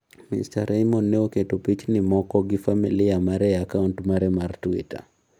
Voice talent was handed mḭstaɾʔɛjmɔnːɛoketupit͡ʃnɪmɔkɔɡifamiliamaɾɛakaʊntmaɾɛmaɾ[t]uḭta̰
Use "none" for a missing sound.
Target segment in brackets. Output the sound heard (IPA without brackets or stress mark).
t